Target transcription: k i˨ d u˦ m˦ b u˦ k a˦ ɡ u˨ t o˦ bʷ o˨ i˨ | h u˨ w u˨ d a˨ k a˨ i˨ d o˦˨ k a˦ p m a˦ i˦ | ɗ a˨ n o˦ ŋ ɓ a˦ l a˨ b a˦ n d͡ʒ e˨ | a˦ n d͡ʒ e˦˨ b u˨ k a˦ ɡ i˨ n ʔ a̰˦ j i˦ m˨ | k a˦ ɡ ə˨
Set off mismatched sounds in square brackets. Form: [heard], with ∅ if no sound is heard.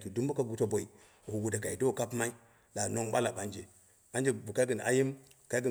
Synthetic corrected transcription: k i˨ d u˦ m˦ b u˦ k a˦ ɡ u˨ t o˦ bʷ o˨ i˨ | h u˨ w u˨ d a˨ k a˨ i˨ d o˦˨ k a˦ p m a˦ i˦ | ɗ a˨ n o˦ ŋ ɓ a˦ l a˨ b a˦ n d͡ʒ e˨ | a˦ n d͡ʒ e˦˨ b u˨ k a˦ ɡ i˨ n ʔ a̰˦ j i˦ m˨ | k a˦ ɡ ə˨